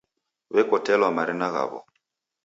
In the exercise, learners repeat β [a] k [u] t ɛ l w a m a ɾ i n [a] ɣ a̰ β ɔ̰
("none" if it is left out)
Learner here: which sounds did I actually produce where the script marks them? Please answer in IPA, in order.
ɛ, ɔ, a

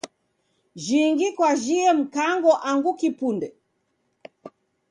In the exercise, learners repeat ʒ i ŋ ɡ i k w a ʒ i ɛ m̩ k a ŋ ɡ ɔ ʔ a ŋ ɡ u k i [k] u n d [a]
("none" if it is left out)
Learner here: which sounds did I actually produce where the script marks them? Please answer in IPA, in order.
p, ɛ

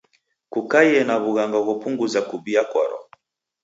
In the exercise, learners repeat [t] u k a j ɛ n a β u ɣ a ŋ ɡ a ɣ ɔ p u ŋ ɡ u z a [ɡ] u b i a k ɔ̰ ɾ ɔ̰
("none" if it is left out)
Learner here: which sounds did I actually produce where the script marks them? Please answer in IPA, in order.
k, k

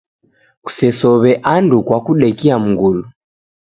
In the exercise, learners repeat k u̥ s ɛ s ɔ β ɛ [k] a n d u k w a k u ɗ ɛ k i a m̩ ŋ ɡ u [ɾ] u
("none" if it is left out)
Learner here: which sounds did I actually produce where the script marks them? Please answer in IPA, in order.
ʔ, l

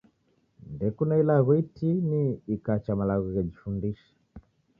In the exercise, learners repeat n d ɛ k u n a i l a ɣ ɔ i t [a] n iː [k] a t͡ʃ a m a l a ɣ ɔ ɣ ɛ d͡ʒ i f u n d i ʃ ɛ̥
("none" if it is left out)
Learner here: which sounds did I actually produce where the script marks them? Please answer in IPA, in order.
i, k

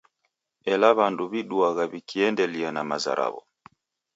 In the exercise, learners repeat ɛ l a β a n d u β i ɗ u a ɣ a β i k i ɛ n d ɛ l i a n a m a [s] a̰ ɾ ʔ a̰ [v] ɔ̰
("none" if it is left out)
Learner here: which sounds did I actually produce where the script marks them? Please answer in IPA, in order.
z, β

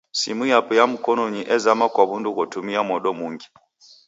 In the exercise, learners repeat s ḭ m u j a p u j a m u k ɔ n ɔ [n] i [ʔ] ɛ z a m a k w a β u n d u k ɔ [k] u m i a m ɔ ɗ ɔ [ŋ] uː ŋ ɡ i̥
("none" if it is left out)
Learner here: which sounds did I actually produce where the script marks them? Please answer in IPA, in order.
ɲ, ʔ, t, m

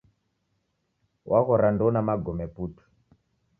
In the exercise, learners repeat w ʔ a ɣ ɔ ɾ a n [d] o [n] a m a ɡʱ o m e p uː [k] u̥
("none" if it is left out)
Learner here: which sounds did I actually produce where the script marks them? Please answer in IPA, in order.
d, n, t

